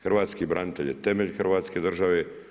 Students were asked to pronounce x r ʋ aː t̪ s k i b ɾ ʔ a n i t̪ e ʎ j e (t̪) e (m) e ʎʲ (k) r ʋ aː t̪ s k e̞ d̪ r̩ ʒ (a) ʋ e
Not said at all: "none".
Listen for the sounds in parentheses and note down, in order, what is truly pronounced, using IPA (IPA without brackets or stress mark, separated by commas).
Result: t̪, m, x, a